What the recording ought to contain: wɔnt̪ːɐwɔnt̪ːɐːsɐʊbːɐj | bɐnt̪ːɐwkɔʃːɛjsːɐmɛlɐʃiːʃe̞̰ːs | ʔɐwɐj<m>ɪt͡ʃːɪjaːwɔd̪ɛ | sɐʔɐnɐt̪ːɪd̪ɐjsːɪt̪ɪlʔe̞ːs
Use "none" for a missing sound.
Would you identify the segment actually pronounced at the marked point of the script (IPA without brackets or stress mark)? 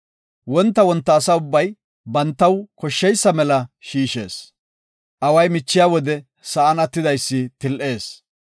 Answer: m